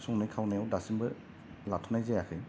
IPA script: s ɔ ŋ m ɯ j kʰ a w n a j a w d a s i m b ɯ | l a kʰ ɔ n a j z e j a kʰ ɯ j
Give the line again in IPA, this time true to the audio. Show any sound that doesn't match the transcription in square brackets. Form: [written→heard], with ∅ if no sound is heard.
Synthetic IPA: s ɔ ŋ [m→n] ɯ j kʰ a w n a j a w d a s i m b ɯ | l a [kʰ→tʰ] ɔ n a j z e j a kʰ ɯ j